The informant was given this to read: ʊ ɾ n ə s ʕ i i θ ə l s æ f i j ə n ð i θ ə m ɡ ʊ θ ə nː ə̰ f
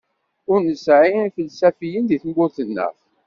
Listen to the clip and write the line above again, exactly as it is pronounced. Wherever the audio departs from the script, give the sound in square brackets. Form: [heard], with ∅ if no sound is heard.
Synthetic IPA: ʊ ɾ n ə s ʕ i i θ ə l s æ f i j ə n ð i θ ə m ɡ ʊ θ ə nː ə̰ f

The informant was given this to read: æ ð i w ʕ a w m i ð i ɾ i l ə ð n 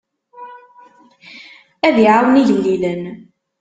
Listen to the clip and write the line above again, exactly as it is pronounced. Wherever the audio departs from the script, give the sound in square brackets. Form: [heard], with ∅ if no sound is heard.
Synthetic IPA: æ ð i [∅] ʕ a w [n] i ð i [l] i l ə [∅] n

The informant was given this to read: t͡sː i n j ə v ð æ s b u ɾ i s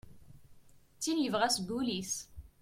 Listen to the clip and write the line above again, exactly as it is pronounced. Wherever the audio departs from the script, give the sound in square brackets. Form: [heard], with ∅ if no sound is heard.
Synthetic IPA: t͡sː i n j ə v [ʁ] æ s [ɡ] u [l] i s

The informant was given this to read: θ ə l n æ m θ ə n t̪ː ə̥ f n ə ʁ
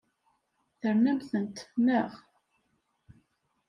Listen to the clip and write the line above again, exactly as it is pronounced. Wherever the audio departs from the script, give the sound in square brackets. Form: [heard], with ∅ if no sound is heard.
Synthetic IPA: θ ə [ɾ] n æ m θ ə n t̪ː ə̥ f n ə ʁ

